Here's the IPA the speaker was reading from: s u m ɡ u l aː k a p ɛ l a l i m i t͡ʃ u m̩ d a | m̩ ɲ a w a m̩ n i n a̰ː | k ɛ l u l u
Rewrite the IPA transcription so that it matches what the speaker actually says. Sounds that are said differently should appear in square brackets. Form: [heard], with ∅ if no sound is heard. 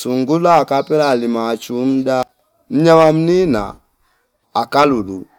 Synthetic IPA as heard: s u [ŋ] ɡ u l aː k a p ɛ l a l i m [a] t͡ʃ u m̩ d a | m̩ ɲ a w a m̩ n i n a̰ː | k [a] l u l u

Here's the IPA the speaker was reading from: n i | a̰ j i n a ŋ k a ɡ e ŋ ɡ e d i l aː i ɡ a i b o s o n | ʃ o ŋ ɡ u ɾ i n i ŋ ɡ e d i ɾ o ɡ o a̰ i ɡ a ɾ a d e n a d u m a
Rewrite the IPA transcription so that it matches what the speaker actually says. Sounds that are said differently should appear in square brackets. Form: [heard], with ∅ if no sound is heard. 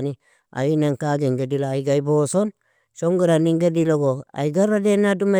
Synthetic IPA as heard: n i | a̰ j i n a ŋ k a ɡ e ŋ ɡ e d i l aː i ɡ a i b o s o n | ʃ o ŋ ɡ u ɾ [a] n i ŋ ɡ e d i [l] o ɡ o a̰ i ɡ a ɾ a d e n a d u m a

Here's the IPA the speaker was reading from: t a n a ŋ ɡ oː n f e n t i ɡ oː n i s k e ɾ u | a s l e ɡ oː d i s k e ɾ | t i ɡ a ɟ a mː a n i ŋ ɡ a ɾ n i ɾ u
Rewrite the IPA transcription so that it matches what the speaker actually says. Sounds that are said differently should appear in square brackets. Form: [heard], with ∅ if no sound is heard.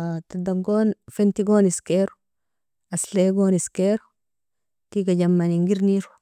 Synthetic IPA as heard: t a [d] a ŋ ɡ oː n f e n t i ɡ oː n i s k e ɾ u | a s l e ɡ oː [n] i s k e ɾ | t i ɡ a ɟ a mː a n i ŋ ɡ [i] ɾ n i ɾ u

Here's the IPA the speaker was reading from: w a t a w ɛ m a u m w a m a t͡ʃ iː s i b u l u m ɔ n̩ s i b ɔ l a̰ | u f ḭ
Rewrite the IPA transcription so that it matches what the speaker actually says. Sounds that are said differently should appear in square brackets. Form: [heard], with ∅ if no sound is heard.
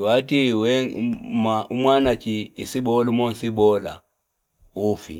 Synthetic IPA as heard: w a t [i] w ɛ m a u m w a [n] a t͡ʃ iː s i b [ɔ] l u m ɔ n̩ s i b ɔ l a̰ | u f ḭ

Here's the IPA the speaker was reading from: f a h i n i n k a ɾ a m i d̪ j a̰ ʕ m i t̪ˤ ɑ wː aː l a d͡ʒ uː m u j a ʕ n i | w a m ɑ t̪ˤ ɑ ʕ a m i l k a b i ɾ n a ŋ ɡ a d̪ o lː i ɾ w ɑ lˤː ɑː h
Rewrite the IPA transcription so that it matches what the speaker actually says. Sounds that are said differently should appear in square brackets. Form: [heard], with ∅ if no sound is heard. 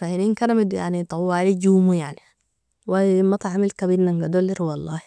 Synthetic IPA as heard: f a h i n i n k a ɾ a m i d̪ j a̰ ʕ [n] i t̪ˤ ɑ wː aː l [i] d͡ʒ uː m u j a ʕ n i | w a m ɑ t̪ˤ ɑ ʕ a m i l k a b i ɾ n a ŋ ɡ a d̪ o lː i ɾ w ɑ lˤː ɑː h

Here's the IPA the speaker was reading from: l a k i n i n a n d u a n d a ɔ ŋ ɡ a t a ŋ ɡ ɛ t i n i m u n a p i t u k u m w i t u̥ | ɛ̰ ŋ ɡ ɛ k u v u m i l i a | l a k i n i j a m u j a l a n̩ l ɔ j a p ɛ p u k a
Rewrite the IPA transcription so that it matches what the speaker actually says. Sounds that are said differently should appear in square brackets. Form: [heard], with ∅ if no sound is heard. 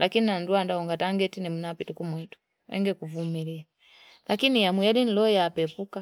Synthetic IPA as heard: l a k i n i n a n d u a n d a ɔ ŋ ɡ a t a ŋ ɡ ɛ t i n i m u n a p i t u k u m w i t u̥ | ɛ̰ ŋ ɡ ɛ k u v u m i l i a | l a k i n i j a m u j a l [i] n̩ l ɔ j a p ɛ p u k a

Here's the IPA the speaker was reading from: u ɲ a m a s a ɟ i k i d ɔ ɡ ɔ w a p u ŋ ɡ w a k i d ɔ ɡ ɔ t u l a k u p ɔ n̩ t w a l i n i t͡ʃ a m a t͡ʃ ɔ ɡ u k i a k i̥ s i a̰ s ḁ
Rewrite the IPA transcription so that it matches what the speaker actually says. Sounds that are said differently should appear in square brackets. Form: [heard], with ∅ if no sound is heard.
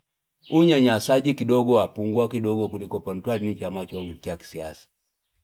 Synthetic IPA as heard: u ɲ a [ɲ] a s a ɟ i k i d ɔ ɡ ɔ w a p u ŋ ɡ w a k i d ɔ ɡ ɔ [k] u l [i] k [ɔ] p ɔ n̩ t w a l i n i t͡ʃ a m a t͡ʃ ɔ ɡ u k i a k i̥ s i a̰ s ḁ

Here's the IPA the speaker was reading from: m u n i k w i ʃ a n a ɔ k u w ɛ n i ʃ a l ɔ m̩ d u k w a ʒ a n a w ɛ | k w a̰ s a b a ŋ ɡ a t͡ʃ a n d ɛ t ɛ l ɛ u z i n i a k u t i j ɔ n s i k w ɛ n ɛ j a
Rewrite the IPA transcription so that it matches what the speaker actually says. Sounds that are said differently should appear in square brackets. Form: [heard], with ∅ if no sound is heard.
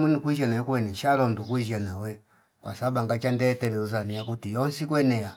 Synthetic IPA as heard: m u n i k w i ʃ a n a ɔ k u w ɛ n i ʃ a l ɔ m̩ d u k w [i] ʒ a n a w ɛ | k w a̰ s a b a ŋ ɡ a t͡ʃ a n d ɛ t ɛ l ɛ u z [a] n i a k u t i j ɔ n s i k w ɛ n ɛ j a

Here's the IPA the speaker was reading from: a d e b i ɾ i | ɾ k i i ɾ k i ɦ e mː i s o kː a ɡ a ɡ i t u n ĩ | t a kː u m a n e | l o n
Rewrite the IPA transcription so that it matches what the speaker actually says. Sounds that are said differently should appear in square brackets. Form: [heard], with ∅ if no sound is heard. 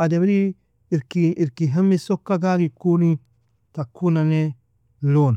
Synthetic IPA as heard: a d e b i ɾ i | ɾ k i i ɾ k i ɦ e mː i s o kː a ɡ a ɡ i [k] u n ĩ | t a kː u [n] a n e | l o n

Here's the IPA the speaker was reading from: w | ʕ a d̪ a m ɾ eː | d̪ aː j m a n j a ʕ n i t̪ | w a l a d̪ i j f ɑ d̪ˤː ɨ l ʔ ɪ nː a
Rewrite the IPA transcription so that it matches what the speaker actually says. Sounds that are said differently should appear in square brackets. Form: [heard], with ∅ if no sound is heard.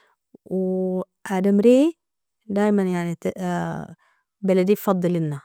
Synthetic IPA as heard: w | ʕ a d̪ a m ɾ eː | d̪ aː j m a n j a ʕ n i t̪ | [b] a l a d̪ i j f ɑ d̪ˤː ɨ l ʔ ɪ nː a

